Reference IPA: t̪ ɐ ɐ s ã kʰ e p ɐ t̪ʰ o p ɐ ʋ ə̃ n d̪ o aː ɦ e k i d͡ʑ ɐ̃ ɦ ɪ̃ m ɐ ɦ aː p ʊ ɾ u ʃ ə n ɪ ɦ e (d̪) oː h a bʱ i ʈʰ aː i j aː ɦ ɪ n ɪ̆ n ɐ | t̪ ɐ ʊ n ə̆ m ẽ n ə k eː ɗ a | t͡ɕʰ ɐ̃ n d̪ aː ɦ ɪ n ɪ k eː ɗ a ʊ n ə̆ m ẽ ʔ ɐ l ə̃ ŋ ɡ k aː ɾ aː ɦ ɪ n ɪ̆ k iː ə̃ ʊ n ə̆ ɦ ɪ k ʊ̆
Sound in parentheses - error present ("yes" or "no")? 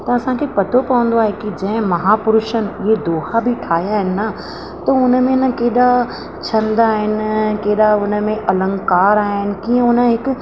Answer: no